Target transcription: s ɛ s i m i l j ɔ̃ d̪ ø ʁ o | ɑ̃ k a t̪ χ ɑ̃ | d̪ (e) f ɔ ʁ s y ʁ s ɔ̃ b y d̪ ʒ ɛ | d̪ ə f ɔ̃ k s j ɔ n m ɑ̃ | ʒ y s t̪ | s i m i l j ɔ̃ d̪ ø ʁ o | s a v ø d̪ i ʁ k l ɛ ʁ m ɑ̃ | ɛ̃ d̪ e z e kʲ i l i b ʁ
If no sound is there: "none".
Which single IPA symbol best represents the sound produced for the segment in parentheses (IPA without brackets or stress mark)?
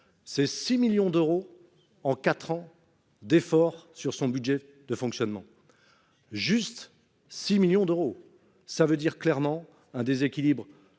e